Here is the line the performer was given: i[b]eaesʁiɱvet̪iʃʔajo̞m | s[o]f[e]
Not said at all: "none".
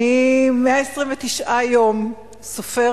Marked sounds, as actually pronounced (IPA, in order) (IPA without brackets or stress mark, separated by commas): m, o, e